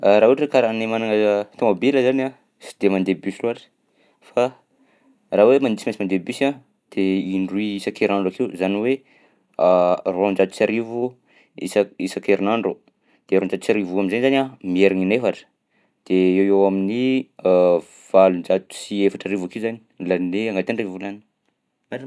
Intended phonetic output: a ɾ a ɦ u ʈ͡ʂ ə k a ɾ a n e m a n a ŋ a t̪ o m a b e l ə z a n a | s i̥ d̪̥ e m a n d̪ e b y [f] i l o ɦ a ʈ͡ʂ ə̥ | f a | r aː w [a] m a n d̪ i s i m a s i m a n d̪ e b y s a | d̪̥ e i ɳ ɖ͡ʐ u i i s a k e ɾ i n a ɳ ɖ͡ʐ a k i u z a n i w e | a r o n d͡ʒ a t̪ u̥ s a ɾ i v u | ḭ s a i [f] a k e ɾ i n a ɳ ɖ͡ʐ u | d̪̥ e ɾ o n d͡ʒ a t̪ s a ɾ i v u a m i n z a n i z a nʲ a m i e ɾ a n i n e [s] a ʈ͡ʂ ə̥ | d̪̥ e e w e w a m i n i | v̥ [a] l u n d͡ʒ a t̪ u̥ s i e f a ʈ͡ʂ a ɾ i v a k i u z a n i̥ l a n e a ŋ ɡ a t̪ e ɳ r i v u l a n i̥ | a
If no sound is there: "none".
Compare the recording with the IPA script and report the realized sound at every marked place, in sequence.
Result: s, e, s, f, a

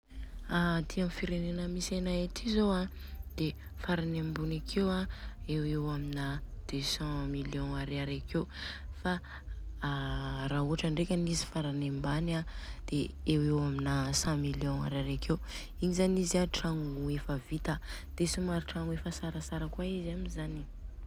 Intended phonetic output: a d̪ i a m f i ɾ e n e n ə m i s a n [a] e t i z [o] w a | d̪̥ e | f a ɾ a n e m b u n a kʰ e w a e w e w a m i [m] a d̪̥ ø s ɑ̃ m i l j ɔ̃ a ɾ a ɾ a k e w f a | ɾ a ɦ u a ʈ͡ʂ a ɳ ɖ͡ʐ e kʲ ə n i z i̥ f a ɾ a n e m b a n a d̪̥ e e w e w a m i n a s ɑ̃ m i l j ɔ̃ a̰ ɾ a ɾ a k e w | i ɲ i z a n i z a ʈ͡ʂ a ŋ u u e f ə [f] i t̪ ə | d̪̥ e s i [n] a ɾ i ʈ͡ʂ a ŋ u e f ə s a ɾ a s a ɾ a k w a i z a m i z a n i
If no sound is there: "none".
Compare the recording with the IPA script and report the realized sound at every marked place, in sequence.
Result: a, o, n, v, m

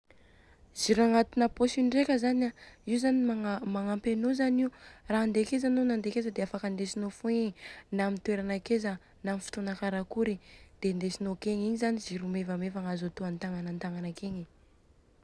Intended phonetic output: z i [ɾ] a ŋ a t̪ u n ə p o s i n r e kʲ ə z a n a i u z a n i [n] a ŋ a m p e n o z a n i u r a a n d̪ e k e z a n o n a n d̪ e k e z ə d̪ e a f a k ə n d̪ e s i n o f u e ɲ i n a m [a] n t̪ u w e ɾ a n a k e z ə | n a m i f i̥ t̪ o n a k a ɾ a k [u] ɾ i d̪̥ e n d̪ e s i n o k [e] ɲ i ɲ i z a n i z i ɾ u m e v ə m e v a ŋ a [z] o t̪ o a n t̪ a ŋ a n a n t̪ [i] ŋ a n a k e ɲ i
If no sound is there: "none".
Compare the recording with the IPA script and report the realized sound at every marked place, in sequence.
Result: ɾ, m, i, u, e, z, a

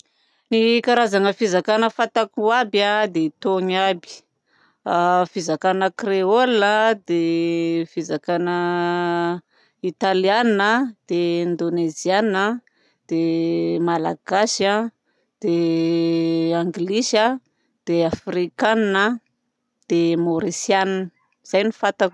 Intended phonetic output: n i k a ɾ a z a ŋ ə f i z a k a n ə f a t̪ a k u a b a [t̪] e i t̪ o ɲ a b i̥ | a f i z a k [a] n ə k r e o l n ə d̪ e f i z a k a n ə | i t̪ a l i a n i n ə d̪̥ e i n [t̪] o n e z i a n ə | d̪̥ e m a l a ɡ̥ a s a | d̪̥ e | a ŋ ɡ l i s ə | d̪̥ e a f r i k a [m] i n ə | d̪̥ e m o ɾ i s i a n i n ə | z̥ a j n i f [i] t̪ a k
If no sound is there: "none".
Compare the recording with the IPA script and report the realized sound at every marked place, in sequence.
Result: d̪, a, d̪, n, a

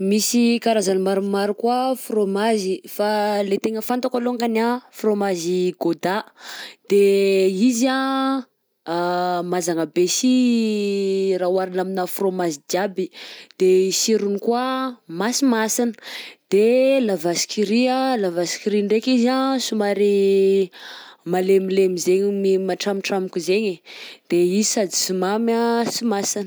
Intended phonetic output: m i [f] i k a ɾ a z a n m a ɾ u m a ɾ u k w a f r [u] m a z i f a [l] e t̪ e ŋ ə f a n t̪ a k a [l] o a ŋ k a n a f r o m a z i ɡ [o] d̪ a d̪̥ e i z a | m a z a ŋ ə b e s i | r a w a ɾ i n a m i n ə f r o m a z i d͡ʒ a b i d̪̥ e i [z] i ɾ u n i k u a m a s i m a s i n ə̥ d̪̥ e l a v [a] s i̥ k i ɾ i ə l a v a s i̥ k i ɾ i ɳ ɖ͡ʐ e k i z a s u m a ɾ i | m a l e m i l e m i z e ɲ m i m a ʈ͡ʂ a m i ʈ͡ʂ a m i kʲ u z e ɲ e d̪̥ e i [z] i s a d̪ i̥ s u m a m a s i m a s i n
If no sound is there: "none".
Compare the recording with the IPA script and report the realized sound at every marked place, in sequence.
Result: s, o, l, l, o, s, a, z

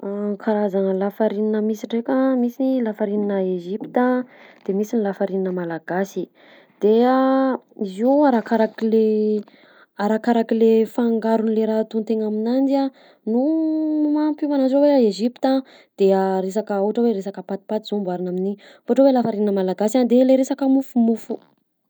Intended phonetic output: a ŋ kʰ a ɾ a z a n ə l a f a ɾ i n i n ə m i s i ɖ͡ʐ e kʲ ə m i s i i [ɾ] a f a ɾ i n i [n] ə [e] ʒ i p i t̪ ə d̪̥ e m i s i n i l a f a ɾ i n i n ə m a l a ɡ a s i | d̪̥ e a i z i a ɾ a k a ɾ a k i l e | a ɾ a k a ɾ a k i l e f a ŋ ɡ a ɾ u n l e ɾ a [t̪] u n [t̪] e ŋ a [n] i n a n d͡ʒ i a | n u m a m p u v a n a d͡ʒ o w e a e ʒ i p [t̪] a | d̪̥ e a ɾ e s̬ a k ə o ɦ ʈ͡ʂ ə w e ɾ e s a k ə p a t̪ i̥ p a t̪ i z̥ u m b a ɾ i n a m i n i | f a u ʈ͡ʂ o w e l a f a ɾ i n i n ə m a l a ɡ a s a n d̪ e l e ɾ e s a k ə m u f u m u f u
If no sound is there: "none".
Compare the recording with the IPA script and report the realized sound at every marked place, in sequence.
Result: l, n, e, t̪, t̪, m, t̪

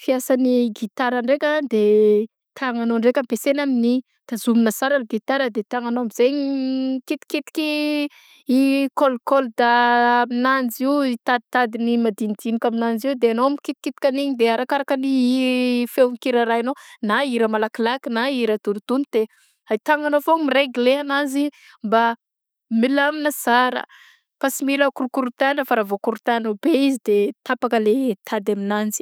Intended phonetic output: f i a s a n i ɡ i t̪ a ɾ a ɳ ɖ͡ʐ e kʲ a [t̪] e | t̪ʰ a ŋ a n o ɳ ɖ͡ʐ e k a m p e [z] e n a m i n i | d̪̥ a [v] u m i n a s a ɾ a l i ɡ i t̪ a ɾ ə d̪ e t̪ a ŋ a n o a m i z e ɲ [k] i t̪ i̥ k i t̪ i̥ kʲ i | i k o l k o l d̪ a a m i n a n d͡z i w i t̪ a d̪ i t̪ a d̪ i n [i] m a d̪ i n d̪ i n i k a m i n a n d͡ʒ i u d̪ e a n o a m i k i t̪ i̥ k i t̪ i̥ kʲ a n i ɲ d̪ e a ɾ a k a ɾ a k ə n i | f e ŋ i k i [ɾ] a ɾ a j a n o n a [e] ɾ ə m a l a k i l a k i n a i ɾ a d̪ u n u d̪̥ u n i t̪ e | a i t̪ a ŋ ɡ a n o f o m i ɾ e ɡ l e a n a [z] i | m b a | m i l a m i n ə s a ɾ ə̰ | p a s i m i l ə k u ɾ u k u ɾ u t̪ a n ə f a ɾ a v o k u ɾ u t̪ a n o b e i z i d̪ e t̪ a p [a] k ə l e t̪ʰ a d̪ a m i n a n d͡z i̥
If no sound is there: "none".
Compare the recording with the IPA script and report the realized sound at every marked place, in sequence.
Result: d̪, s, z, k, i, ɾ, i, z, a

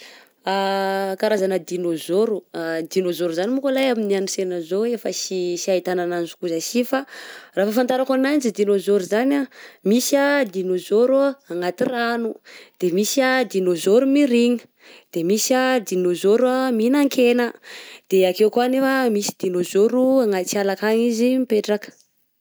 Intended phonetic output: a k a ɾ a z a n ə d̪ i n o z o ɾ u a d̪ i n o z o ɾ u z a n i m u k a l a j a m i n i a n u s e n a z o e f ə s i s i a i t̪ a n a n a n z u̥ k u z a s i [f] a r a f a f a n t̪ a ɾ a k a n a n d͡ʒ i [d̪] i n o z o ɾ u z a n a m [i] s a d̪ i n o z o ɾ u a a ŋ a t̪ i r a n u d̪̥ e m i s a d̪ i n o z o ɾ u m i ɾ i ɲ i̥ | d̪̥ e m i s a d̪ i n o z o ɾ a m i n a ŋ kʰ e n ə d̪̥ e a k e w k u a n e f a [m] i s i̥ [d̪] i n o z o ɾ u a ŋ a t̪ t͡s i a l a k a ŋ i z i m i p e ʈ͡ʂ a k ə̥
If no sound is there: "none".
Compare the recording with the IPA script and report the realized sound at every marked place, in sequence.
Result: f, d̪, i, m, d̪

